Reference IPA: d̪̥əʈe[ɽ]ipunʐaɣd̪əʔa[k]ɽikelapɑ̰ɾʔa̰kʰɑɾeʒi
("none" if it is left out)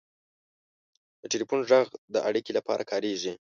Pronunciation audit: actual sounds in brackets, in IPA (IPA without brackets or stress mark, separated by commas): l, none